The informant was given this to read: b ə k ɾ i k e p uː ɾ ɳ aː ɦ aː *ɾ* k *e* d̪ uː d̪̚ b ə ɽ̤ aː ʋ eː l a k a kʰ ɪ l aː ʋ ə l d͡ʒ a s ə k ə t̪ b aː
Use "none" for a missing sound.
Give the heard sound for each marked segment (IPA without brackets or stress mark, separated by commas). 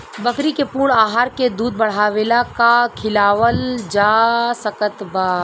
ɾ, e